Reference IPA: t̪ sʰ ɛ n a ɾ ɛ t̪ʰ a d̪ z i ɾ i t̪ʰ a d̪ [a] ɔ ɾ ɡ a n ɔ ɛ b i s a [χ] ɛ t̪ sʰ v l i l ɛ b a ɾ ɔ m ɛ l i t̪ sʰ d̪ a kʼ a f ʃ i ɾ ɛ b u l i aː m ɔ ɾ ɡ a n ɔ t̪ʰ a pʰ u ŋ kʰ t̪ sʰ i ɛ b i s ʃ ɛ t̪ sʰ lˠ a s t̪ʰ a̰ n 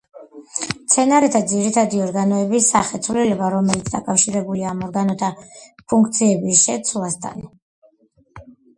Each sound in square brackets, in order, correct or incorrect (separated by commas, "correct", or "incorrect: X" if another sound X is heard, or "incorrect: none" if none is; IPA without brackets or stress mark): incorrect: i, correct